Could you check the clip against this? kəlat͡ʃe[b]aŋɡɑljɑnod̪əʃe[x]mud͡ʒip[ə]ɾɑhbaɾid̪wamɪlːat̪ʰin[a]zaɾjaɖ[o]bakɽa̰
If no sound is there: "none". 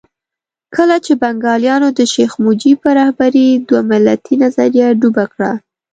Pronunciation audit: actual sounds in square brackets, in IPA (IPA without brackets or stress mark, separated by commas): b, x, ə, a, u